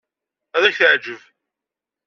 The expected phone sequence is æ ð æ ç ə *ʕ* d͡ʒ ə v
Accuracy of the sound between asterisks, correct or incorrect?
correct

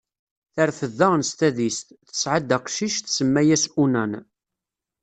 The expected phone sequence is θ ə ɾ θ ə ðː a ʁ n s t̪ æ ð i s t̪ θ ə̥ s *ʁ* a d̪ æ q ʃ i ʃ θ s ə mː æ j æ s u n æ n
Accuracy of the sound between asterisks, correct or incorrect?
incorrect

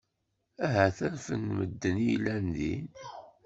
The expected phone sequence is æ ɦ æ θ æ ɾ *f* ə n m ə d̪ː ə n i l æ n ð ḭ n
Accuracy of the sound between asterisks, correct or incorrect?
correct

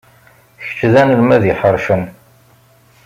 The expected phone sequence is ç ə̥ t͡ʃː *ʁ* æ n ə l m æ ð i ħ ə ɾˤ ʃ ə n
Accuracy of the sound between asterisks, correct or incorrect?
incorrect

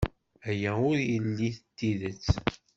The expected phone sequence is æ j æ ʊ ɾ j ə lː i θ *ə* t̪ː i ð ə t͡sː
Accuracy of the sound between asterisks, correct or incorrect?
correct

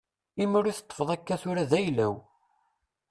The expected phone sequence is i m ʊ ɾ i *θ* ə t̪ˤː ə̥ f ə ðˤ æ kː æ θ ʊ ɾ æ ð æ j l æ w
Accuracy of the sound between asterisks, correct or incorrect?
correct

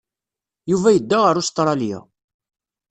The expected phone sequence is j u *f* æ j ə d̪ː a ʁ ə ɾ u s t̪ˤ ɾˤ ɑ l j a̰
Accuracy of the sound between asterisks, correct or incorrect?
incorrect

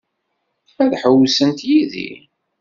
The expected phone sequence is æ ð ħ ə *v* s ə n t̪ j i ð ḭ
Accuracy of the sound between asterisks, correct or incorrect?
incorrect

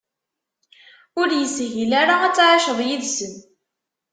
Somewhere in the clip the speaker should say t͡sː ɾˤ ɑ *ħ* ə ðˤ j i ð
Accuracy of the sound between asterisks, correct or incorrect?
incorrect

